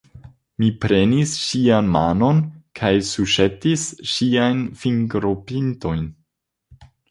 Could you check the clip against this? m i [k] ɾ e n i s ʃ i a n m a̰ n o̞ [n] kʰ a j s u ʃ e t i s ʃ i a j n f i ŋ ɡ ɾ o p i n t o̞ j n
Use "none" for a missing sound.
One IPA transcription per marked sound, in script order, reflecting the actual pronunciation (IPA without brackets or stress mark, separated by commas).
p, n